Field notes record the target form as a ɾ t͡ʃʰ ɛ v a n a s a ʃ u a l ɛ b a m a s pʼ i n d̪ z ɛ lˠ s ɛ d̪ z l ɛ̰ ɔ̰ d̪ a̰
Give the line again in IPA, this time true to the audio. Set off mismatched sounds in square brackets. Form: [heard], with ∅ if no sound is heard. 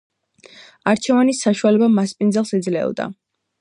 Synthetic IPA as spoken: a ɾ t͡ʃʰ ɛ v a n [i] s a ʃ u a l ɛ b a m a s pʼ i n d̪ z ɛ lˠ s ɛ d̪ z l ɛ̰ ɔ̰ d̪ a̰